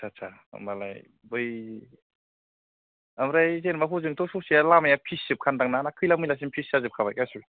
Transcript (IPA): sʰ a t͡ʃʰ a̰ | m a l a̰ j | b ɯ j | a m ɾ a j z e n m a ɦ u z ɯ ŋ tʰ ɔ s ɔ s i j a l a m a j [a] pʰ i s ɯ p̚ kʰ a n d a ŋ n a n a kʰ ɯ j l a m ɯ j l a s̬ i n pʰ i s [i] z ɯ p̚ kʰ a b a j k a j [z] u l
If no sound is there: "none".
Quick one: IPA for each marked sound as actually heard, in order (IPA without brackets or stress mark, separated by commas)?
a, a, s